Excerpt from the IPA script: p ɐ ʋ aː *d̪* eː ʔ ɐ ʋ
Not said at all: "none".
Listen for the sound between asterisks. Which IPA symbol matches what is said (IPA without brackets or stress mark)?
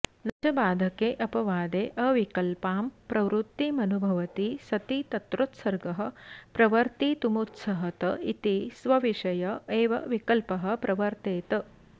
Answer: d̪